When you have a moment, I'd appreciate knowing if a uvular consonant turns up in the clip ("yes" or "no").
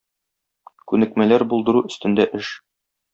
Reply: no